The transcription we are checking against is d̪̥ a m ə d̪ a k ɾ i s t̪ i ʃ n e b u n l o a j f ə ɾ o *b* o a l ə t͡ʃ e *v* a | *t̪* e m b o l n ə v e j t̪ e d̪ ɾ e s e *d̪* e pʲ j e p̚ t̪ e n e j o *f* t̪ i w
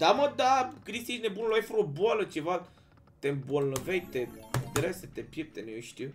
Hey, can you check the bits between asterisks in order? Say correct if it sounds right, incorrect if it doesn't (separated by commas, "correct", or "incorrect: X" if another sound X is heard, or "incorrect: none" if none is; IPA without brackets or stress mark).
correct, correct, correct, incorrect: t̪, incorrect: ʃ